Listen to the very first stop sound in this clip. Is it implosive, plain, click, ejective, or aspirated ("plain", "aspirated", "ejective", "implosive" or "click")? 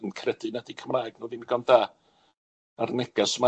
aspirated